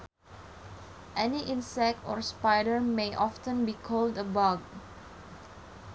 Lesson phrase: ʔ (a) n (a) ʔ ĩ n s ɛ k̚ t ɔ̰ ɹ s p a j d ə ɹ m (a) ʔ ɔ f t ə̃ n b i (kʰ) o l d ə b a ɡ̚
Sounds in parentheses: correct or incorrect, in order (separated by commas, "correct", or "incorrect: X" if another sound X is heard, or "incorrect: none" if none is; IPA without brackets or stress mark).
incorrect: ɛ, incorrect: i, incorrect: e, correct